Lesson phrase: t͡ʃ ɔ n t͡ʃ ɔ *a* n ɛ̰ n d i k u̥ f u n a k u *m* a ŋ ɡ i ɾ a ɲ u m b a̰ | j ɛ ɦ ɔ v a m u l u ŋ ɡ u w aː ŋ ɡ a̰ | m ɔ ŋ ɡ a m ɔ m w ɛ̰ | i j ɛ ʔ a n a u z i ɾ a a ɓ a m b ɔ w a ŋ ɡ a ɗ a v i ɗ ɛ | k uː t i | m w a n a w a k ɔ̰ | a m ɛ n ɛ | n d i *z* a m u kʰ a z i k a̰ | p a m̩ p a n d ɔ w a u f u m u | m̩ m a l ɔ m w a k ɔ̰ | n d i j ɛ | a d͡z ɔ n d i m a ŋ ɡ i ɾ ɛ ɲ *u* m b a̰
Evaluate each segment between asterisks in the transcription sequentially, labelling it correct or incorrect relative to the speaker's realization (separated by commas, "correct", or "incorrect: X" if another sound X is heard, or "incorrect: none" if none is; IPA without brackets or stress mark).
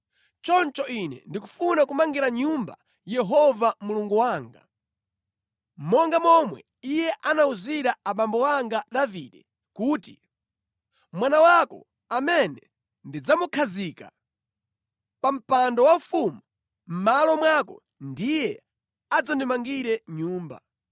incorrect: i, correct, incorrect: d͡z, incorrect: uː